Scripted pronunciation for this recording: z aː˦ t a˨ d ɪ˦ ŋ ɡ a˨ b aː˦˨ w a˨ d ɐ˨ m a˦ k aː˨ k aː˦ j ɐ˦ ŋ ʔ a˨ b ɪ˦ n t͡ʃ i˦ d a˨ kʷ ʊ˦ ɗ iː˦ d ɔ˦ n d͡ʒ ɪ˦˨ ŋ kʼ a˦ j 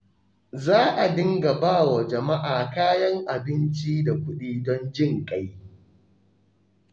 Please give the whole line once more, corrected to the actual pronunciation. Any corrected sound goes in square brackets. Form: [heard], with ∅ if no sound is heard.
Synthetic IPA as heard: z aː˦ [ʔ] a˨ d ɪ˦ ŋ ɡ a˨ b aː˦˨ w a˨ [d͡ʒ] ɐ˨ m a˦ [ʔ] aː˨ k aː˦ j ɐ˦ ŋ ʔ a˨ b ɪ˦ n t͡ʃ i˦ d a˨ kʷ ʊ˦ ɗ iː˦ d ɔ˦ n d͡ʒ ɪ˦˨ ŋ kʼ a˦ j